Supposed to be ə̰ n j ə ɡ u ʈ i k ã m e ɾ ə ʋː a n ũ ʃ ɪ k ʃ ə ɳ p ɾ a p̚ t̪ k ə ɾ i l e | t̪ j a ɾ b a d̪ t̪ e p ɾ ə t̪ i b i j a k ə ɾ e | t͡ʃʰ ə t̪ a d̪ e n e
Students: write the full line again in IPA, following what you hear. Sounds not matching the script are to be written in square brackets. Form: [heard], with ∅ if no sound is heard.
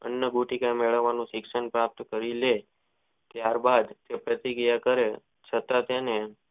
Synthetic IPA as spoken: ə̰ n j ə ɡ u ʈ i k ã m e [ɭ] ə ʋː a n ũ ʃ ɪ k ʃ ə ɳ p ɾ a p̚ t̪ k ə ɾ i l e | t̪ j a ɾ b a d̪ t̪ e p ɾ ə t̪ i [ɡ] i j a k ə ɾ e | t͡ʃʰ ə t̪ a [t̪] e n e